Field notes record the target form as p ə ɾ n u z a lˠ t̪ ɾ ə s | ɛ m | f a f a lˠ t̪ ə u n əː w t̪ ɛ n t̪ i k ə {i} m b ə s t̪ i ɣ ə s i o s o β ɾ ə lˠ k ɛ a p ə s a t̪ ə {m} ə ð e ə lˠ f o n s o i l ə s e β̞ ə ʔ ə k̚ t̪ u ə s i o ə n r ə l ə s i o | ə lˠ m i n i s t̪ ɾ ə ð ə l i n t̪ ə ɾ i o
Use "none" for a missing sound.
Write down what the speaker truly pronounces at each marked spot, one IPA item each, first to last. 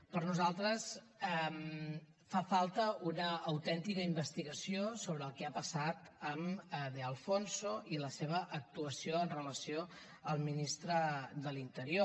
i, m

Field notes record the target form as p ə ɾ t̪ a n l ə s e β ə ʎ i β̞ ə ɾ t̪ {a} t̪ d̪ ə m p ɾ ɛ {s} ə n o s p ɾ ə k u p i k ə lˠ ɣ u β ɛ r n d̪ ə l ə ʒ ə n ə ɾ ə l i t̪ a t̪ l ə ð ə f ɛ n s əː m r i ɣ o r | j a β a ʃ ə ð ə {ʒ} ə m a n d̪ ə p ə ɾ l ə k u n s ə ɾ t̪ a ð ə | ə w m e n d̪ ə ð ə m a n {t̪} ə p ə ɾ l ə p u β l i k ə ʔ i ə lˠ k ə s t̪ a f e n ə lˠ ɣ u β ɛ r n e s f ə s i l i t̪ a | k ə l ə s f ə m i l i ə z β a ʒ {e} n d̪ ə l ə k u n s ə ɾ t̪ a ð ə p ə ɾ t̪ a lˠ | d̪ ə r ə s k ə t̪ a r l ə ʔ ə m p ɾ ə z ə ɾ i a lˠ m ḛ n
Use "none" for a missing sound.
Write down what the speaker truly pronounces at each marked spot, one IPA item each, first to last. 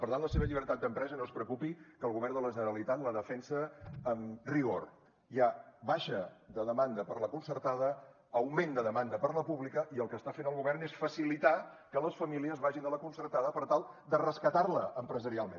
a, z, ð, d̪, i

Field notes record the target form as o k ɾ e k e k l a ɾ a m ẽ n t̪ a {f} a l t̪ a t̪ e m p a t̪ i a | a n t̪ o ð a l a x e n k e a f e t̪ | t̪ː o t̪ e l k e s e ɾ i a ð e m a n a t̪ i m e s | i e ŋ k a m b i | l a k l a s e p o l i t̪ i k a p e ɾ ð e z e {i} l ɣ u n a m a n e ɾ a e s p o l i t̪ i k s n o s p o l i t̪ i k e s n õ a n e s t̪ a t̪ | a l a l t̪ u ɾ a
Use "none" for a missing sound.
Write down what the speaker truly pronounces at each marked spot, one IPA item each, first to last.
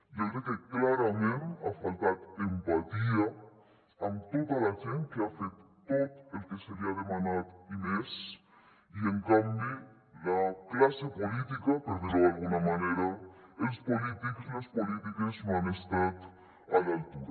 f, a

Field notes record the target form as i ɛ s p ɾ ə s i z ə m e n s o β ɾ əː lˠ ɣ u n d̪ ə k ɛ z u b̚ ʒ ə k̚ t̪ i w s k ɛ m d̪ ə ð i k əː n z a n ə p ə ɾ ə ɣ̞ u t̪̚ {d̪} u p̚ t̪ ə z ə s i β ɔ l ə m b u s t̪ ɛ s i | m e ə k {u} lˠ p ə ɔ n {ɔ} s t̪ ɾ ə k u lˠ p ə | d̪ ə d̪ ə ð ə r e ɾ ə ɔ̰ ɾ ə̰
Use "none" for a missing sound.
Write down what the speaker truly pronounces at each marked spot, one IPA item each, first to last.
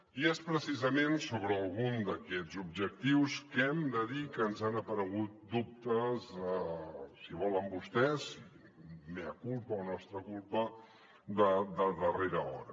d̪, u, ɔ

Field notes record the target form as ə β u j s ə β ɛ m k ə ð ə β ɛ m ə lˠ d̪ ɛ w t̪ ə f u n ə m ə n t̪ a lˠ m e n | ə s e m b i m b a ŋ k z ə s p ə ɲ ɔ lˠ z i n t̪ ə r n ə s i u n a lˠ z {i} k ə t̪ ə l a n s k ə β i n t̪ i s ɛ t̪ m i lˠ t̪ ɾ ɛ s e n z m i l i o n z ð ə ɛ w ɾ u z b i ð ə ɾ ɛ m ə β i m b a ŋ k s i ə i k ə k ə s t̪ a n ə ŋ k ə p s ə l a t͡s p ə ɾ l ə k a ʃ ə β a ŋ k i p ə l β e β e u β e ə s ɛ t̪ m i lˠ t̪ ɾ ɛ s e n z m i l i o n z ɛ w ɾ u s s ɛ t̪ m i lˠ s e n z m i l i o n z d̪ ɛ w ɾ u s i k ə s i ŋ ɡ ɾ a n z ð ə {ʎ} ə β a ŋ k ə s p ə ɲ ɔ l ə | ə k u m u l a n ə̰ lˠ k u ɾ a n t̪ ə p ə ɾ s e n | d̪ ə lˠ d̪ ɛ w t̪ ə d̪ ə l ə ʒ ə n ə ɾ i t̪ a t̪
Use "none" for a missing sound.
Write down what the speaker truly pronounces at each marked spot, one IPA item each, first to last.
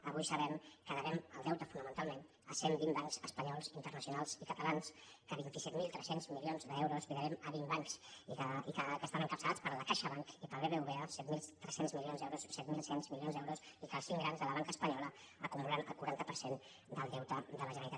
i, l

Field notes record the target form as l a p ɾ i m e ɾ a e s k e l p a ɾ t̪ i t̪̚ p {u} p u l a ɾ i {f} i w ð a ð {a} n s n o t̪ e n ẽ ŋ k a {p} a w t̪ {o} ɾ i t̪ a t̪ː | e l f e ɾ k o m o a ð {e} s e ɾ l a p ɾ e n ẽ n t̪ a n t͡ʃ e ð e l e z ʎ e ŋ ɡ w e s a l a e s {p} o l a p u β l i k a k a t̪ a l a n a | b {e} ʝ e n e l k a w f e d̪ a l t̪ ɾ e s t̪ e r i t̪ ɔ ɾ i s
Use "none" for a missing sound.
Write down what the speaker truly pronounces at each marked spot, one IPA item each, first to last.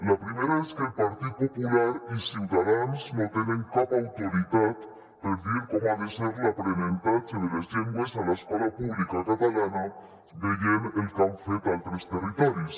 o, s, a, p, o, e, k, e

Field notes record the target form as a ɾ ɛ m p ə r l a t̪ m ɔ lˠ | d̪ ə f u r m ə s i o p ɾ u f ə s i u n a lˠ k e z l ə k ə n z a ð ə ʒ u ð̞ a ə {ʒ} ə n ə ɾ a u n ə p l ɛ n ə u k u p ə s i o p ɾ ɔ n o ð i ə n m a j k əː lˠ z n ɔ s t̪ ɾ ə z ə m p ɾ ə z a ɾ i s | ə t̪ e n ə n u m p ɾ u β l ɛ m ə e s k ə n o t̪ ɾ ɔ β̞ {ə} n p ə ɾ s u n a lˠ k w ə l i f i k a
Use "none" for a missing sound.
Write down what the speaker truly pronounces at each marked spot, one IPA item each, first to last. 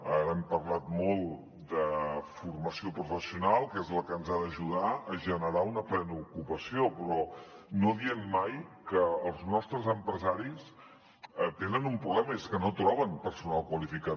ʒ, ə

